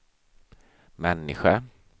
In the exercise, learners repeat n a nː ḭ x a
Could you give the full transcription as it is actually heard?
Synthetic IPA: m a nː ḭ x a